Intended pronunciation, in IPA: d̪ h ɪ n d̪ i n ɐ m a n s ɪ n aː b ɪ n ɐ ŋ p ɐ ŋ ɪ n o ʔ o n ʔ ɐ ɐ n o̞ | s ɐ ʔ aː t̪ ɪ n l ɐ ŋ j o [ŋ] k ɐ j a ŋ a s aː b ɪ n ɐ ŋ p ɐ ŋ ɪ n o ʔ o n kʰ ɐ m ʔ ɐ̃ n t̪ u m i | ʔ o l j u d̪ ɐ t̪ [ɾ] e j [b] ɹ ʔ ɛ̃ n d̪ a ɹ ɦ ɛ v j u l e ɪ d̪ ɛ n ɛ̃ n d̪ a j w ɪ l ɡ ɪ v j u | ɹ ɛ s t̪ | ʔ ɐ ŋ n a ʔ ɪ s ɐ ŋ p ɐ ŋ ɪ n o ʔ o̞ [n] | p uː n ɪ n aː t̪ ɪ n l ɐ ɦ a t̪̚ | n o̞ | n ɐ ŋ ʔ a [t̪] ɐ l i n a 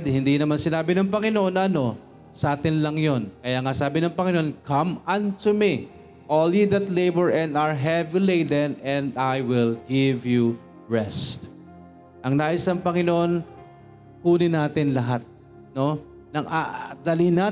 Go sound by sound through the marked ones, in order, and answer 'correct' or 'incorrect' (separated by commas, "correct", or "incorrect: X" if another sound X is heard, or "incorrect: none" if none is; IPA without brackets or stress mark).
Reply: incorrect: n, incorrect: l, correct, correct, incorrect: d̪